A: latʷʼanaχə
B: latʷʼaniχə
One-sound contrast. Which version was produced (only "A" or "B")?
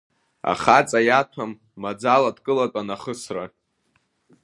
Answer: A